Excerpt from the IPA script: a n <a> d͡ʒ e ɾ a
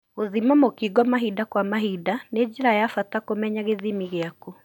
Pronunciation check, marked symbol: incorrect: e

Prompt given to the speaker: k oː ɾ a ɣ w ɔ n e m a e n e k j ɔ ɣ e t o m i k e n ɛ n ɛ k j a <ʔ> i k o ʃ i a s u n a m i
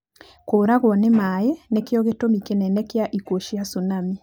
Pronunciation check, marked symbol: correct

